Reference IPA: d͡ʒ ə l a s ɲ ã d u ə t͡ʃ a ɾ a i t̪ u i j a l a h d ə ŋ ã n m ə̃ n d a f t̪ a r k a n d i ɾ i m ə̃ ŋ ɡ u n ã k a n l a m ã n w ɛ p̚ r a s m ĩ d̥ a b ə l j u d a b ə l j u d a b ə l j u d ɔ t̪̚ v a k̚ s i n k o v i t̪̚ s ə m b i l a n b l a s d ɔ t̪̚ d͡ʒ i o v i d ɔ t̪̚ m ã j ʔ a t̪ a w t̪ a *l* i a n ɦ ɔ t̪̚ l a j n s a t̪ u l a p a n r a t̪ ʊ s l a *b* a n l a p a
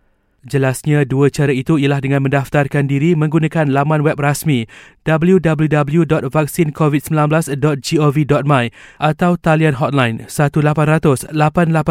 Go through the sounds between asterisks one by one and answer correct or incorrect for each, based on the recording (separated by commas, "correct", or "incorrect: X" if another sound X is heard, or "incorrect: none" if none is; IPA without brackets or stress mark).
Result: correct, incorrect: p